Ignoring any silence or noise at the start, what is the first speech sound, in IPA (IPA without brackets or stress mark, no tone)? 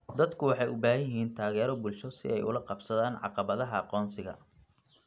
d̪